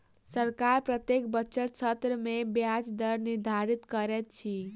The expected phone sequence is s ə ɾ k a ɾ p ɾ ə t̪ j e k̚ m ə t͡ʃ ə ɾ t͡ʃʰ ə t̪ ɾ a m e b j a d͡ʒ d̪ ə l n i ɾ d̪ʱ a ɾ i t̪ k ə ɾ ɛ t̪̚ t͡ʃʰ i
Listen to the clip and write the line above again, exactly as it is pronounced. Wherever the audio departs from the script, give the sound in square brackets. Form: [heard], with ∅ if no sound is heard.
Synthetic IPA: s ə ɾ k a ɾ p ɾ ə t̪ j e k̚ [b] ə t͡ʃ ə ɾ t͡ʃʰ ə t̪ ɾ [ə] m e b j a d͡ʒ d̪ ə [ɾ] n i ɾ d̪ʱ a ɾ i t̪ k ə ɾ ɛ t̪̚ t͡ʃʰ i

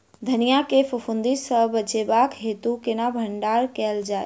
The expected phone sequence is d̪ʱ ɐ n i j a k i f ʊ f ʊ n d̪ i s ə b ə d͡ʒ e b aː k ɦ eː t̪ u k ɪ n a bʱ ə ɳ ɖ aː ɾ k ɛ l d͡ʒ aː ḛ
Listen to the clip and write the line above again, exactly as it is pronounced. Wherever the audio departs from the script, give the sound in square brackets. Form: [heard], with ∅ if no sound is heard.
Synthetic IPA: d̪ʱ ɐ n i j a k [e] f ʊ f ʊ n d̪ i s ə b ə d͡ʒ e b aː k ɦ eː t̪ u k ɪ n a bʱ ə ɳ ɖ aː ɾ k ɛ l d͡ʒ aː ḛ

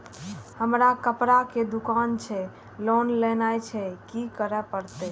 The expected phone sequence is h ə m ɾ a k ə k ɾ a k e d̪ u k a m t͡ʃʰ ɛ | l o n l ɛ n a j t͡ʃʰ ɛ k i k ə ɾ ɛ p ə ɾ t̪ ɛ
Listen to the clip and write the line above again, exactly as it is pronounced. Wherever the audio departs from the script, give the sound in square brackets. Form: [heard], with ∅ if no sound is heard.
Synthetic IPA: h ə m ɾ a k ə [p] ɾ a k e d̪ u k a [n] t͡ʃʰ ɛ | l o n l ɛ n a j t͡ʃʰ ɛ k i k ə ɾ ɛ p ə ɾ t̪ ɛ

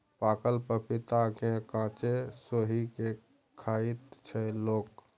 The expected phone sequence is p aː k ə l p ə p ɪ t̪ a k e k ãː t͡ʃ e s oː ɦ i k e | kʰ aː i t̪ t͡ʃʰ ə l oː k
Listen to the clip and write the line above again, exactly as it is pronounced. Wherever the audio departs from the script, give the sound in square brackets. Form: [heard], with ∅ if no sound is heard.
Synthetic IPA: p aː k ə l p ə p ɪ t̪ a k e k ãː t͡ʃ e s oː ɦ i k e | kʰ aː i t̪ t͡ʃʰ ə l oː k

